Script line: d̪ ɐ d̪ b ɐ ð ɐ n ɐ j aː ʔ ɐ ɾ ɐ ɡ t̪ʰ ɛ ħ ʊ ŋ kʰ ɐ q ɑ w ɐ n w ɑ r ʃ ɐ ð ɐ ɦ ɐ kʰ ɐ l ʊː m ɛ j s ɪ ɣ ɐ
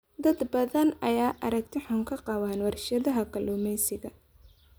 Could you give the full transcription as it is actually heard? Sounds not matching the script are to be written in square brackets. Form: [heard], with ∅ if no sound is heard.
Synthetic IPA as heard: d̪ ɐ d̪ b ɐ ð ɐ n ɐ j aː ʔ ɐ ɾ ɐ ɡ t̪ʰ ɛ ħ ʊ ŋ kʰ ɐ q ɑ w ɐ n w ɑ r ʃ ɐ ð ɐ ɦ ɐ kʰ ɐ l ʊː m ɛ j s ɪ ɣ ɐ